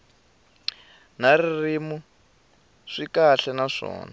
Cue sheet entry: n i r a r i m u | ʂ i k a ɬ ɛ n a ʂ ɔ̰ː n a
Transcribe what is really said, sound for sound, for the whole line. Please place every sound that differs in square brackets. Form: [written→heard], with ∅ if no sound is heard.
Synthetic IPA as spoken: n [i→a] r [a→i] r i m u | ʂ i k a ɬ ɛ n a ʂ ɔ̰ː n a